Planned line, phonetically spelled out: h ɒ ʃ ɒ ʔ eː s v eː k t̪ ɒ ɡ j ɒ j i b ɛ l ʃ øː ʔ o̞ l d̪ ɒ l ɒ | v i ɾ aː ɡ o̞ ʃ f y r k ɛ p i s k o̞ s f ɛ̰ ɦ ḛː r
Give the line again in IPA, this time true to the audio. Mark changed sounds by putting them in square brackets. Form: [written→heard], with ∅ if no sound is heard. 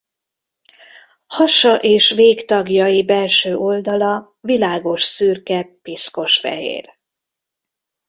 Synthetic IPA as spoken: h ɒ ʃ ɒ ʔ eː [s→ʃ] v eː k t̪ ɒ ɡ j ɒ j i b ɛ l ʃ øː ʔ o̞ l d̪ ɒ l ɒ | v i [ɾ→l] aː ɡ o̞ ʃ [f→s] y r k ɛ p i s k o̞ [s→ʃ] f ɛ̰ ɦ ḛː r